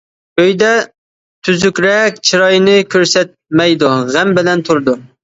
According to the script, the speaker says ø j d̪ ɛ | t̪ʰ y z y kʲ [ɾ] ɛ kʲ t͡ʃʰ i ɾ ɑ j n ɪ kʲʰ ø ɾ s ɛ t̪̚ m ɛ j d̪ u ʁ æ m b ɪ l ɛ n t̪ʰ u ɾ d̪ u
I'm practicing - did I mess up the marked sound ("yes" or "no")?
no